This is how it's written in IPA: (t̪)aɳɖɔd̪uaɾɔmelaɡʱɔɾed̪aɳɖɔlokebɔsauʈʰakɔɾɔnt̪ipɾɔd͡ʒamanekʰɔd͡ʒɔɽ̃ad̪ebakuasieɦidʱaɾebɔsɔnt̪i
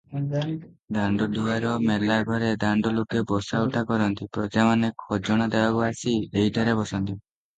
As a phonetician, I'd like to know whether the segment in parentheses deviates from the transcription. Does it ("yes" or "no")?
yes